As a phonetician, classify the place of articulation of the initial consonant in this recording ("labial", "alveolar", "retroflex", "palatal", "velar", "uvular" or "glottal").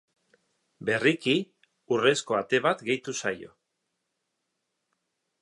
labial